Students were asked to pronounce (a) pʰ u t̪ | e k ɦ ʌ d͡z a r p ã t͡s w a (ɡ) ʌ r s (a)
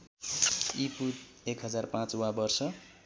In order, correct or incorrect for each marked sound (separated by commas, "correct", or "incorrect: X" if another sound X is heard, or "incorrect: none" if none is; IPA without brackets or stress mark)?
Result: incorrect: i, incorrect: b, incorrect: ʌ